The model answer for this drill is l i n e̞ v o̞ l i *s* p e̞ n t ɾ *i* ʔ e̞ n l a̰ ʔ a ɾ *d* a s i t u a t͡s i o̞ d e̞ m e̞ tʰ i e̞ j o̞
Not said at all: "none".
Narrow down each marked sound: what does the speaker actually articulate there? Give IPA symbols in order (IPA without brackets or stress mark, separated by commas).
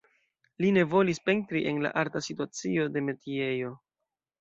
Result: s, i, t